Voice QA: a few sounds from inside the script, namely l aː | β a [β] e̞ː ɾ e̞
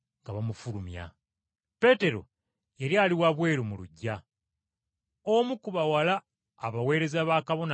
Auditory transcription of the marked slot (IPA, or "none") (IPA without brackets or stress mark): w